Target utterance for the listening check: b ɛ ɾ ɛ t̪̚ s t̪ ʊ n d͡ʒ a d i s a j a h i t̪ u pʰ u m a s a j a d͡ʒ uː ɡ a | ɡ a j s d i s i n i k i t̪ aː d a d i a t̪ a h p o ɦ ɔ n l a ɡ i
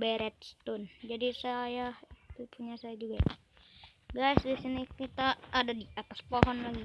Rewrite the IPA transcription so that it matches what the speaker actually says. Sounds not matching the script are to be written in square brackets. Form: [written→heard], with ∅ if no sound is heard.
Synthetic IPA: b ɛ ɾ ɛ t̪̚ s t̪ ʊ n d͡ʒ a d i s a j a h i t̪ u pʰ u [m→ɲ] a s a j a d͡ʒ [uː→u] ɡ a | ɡ a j s d i s i n i k i t̪ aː d a d i a t̪ a [h→s] p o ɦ ɔ n l a ɡ i